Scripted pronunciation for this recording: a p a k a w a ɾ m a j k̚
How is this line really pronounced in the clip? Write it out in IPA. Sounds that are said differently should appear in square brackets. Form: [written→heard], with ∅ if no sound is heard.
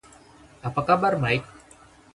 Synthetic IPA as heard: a p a k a [w→b] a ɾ m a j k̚